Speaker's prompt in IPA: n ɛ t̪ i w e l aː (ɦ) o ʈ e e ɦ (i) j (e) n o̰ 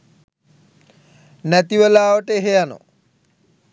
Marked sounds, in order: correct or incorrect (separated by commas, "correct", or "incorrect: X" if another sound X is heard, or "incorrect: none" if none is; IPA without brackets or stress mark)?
incorrect: none, incorrect: e, incorrect: a